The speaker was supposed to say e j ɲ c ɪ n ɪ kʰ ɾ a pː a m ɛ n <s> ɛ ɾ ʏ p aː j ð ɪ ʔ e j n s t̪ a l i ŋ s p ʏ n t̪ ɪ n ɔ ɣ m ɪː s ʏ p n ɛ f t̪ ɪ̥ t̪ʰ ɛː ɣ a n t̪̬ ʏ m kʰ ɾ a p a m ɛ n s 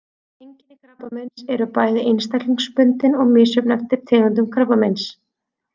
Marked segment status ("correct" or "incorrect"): correct